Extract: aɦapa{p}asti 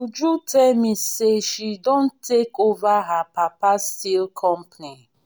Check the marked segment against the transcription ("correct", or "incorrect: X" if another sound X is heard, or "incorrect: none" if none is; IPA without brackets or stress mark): correct